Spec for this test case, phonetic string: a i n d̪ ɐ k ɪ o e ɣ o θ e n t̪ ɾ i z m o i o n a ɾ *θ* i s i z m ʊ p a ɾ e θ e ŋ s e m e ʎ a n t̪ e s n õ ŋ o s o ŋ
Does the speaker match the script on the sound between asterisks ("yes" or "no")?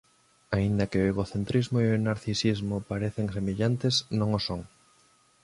yes